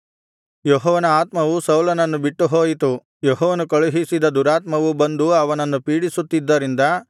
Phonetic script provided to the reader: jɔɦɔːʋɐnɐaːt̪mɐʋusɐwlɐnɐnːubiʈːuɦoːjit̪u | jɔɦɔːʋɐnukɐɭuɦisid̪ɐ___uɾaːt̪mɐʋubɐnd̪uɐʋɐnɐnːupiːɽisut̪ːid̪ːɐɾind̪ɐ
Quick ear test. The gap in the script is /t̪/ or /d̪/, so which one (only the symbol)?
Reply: d̪